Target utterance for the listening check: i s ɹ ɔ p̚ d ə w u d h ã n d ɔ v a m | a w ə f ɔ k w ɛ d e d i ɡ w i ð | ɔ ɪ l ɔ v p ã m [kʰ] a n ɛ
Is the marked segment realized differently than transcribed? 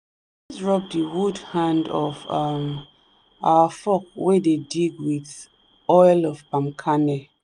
no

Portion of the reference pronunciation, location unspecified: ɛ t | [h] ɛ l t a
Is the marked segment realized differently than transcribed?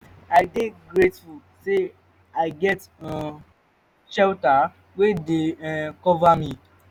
yes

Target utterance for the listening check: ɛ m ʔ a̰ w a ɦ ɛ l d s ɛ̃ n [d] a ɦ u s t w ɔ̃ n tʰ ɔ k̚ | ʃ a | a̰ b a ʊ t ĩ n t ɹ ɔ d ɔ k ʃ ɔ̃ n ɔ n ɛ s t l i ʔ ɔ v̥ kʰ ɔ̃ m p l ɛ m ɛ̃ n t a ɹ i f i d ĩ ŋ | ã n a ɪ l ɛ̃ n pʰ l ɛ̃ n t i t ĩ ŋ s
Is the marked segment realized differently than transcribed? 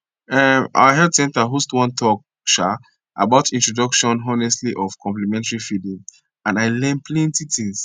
yes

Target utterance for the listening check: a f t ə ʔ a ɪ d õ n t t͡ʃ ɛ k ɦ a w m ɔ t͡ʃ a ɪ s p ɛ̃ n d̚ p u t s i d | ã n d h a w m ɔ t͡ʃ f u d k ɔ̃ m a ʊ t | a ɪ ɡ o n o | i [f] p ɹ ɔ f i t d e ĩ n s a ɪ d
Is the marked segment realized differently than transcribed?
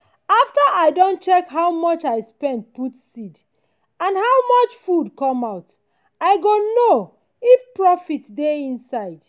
no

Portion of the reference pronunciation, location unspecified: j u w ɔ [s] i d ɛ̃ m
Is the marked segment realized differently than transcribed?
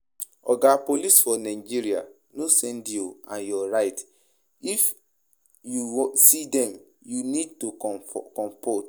no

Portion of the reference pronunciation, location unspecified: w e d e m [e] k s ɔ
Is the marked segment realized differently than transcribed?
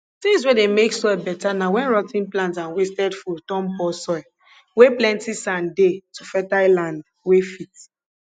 no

